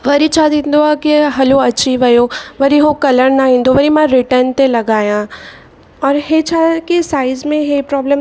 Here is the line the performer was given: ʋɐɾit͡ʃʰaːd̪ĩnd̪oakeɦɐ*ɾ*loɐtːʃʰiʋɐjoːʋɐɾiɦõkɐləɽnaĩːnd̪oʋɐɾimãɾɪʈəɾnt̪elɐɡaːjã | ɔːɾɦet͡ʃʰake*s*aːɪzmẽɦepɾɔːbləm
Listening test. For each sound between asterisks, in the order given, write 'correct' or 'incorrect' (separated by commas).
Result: incorrect, correct